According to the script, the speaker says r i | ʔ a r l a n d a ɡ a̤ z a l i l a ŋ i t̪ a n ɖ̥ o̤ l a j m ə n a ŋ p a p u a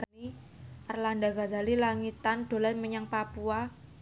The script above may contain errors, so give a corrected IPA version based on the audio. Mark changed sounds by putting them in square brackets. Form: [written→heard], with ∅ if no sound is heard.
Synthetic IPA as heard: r i | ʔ a r l a n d a ɡ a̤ z a l i l a ŋ i t̪ a n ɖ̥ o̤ l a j m ə [n→ɲ] a ŋ p a p u a